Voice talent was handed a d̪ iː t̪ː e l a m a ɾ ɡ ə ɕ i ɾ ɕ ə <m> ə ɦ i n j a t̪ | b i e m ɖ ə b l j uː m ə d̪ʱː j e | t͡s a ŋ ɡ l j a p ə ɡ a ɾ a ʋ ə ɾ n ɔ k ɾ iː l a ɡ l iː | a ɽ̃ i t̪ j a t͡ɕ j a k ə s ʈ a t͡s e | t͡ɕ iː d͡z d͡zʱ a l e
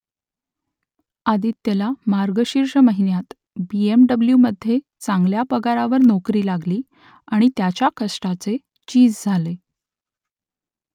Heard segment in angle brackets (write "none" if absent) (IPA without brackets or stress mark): m